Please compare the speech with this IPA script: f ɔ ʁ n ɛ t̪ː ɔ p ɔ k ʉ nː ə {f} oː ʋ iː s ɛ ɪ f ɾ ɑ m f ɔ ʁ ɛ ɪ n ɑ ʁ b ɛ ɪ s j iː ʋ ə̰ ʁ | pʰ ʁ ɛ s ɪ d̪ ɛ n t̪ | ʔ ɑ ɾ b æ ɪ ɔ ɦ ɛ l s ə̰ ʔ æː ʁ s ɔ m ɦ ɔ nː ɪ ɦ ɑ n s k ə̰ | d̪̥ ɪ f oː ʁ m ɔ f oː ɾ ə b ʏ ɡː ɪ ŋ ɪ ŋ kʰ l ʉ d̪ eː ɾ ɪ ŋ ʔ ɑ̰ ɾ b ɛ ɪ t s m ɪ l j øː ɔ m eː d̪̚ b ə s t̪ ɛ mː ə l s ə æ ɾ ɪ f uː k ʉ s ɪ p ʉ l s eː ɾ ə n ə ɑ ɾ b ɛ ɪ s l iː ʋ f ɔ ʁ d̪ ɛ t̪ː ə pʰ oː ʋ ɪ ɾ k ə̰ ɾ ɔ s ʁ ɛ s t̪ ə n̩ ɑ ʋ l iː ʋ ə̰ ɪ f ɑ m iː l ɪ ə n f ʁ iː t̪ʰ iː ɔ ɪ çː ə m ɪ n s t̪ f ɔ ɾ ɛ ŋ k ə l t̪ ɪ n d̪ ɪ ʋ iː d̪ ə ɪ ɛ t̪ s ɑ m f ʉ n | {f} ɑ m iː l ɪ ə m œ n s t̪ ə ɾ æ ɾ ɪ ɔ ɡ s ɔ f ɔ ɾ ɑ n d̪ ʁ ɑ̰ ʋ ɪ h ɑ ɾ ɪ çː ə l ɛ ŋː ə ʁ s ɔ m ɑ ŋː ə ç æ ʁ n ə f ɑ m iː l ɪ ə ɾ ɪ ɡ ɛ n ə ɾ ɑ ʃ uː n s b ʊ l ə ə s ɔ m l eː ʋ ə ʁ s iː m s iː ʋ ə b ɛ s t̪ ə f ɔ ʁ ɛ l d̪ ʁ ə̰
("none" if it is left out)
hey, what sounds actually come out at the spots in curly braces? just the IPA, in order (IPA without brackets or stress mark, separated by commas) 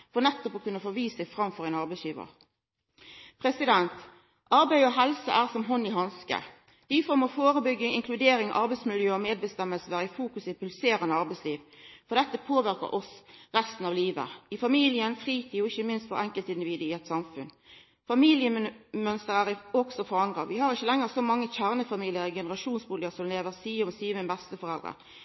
f, f